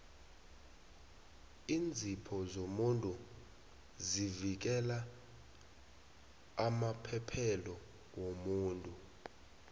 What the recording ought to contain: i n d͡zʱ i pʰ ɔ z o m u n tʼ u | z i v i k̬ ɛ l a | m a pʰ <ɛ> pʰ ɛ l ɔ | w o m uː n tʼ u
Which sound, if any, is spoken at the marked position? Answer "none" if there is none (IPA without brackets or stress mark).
ɛ